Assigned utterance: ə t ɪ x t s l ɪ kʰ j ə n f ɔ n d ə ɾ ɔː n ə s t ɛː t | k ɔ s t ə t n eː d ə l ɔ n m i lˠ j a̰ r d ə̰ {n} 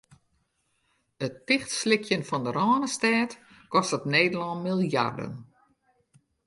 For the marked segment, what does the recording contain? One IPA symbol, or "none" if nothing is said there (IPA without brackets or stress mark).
n